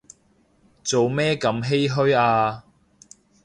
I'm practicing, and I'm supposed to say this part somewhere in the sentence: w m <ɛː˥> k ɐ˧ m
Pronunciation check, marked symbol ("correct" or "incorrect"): correct